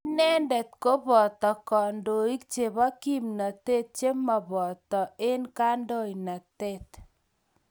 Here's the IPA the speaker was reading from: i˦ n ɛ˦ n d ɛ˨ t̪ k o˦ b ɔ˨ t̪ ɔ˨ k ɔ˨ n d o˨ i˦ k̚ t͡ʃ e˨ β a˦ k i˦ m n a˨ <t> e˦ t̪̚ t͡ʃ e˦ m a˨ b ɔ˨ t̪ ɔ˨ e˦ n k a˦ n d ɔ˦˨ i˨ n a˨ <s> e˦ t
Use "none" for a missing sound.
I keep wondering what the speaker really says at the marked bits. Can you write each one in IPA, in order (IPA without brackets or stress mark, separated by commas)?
t, t